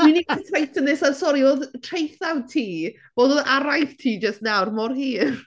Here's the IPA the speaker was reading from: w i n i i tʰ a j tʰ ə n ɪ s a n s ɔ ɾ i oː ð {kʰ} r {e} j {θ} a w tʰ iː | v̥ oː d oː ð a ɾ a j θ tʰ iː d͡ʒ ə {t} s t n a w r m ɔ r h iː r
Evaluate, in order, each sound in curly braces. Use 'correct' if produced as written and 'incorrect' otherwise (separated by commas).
incorrect, correct, correct, incorrect